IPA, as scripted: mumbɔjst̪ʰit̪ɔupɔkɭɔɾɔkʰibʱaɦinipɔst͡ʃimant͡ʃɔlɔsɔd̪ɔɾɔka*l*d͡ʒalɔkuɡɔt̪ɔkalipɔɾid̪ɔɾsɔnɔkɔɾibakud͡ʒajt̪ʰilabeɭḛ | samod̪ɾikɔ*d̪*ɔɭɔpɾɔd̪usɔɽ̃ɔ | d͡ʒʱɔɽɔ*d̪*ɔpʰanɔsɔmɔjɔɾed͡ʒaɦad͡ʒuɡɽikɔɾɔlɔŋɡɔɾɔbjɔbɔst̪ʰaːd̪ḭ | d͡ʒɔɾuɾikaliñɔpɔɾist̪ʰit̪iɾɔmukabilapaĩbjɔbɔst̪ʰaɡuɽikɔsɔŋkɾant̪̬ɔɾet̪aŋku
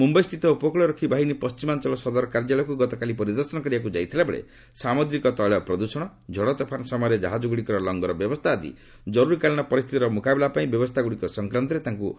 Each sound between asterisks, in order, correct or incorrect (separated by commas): incorrect, incorrect, incorrect